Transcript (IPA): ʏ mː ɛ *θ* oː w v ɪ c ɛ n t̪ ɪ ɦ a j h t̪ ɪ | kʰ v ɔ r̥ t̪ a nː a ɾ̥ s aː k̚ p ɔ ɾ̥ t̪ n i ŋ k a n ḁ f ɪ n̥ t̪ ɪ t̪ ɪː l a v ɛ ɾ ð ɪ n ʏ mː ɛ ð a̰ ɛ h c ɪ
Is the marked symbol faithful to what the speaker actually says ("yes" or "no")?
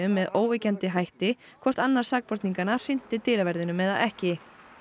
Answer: no